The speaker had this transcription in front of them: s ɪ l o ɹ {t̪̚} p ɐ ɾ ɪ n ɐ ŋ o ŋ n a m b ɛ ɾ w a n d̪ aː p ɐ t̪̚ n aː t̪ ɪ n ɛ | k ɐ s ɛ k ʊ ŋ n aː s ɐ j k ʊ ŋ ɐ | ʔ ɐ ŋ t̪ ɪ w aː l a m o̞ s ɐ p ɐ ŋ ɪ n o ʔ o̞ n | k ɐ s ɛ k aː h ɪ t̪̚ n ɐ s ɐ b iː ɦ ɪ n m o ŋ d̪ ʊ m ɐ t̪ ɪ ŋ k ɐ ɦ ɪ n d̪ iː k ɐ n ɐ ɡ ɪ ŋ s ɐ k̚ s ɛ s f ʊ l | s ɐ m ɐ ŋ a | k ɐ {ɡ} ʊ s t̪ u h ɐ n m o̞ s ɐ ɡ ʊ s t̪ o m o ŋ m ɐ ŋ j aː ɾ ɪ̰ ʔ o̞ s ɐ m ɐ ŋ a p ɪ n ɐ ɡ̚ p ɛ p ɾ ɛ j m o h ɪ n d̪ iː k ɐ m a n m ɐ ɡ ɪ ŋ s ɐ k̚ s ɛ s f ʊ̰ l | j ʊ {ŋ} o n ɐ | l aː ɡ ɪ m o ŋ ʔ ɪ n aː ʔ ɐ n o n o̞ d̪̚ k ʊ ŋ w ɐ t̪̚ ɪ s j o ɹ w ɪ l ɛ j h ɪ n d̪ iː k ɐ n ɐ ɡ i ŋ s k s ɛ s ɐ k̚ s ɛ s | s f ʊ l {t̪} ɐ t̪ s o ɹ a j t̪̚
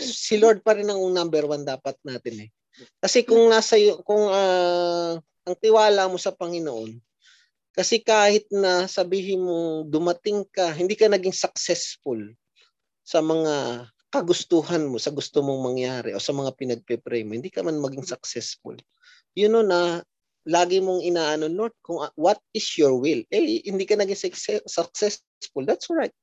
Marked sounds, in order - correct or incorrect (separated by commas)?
incorrect, correct, incorrect, incorrect